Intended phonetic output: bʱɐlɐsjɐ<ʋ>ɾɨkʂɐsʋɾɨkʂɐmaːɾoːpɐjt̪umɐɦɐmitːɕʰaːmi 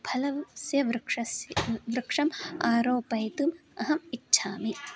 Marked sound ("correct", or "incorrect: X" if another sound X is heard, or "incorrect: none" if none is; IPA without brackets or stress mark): correct